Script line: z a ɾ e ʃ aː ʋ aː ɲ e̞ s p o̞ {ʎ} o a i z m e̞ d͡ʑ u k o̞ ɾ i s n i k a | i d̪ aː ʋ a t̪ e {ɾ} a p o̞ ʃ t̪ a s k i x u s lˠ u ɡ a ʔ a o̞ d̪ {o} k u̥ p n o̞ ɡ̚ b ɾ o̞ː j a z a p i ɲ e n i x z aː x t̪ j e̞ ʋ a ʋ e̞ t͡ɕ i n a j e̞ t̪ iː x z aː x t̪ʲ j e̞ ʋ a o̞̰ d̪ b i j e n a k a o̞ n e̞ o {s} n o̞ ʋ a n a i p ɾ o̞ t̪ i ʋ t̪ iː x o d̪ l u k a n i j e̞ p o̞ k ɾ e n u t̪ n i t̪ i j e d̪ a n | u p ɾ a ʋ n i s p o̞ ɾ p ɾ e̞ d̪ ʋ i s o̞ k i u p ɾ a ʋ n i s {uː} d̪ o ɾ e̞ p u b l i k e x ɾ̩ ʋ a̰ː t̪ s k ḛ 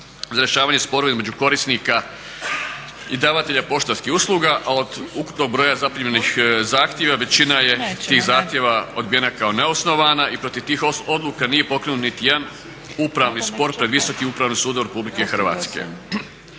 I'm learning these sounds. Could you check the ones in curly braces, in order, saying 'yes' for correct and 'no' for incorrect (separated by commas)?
no, no, no, yes, yes